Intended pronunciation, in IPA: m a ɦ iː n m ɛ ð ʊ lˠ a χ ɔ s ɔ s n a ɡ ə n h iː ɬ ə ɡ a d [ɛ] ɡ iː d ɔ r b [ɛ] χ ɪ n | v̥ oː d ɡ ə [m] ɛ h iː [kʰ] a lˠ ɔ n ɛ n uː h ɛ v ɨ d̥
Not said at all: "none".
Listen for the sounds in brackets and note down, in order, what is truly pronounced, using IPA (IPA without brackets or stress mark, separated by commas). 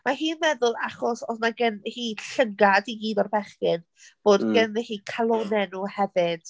i, ɛ, n, kʰ